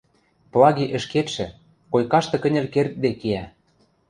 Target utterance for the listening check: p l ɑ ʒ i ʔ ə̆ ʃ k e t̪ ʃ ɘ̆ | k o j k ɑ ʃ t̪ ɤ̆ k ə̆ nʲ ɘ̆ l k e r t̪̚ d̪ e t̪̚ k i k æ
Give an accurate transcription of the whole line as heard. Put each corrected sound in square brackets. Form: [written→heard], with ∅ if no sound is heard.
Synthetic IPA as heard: p l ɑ [ʒ→ɣ] i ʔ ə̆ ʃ k e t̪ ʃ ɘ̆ | k o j k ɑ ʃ t̪ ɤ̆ k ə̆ nʲ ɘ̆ l k e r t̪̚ d̪ e [t̪̚→∅] k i [k→∅] æ

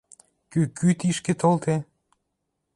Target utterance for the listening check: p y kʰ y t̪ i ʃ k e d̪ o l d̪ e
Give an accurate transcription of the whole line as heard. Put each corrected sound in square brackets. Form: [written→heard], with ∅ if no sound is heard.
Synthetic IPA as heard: [p→k] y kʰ y t̪ i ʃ k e [d̪→t̪] o l [d̪→t̪] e

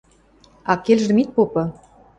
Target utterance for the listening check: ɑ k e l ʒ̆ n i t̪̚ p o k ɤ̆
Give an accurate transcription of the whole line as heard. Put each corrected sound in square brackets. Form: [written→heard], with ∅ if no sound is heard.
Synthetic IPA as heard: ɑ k e l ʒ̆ [n→m] i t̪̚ p o [k→p] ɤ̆

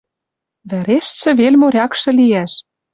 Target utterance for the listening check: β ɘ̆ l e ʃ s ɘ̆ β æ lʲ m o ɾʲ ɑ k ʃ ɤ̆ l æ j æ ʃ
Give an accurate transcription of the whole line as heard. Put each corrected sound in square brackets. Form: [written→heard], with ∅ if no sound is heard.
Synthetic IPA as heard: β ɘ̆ [l→ɾ] e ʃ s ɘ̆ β [æ→e] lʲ m o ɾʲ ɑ k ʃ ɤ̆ l [æ→i] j æ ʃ

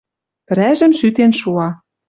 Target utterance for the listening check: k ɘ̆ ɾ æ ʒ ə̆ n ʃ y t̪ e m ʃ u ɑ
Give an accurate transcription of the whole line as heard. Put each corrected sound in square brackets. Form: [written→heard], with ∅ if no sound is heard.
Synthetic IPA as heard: [k→p] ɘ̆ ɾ æ ʒ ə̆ [n→m] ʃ y t̪ e [m→n] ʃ u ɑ

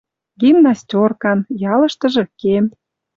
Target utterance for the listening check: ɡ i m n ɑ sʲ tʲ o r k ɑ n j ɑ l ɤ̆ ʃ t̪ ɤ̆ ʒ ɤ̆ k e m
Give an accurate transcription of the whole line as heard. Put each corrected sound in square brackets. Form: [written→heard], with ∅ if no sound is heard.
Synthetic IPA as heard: ɡ i m n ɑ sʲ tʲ o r k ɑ n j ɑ l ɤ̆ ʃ t̪ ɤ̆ ʒ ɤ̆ k e m

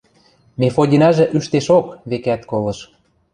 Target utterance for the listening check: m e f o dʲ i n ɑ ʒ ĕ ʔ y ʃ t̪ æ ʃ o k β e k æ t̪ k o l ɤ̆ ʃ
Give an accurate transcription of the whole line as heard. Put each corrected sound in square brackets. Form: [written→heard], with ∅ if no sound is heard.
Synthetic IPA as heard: m e f o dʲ i n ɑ ʒ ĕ ʔ y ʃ t̪ [æ→e] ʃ o k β e k æ t̪ k o l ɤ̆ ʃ

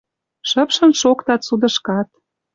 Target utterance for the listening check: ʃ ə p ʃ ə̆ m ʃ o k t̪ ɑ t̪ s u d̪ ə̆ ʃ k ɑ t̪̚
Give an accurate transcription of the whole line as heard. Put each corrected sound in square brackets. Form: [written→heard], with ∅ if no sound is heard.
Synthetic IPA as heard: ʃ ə p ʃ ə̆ [m→n] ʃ o k t̪ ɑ t̪ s u d̪ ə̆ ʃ k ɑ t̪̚

